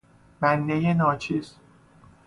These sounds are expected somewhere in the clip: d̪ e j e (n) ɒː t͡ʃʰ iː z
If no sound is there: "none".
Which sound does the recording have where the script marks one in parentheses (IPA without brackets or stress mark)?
n